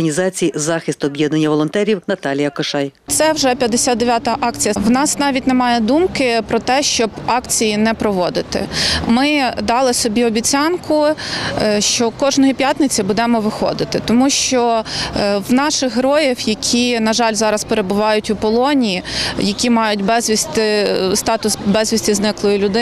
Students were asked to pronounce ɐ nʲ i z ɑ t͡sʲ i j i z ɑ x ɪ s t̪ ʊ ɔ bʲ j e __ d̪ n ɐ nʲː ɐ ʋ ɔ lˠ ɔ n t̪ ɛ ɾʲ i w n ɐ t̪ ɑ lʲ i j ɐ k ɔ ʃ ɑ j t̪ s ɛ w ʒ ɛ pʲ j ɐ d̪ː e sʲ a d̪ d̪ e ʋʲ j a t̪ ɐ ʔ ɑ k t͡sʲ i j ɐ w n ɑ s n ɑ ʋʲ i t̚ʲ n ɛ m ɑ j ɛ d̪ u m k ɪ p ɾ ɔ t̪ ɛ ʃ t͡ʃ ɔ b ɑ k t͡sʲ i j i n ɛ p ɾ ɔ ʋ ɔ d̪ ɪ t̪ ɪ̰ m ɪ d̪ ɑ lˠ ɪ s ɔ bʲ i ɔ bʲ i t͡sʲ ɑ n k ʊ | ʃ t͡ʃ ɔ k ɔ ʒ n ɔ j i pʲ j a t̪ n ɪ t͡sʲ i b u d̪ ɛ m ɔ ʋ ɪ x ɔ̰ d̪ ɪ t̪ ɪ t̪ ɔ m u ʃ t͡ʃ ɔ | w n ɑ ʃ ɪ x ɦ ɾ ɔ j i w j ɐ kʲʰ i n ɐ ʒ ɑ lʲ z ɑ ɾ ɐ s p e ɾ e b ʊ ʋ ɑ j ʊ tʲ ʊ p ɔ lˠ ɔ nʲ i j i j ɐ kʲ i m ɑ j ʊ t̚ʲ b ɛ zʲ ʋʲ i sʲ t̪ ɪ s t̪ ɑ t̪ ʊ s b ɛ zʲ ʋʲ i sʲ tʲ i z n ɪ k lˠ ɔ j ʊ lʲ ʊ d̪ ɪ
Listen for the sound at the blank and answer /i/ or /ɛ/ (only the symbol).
ɛ